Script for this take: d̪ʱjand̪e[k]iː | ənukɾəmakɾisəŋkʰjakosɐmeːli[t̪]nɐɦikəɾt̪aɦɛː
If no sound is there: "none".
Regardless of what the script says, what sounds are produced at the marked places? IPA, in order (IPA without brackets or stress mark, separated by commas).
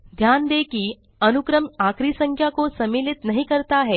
k, t̪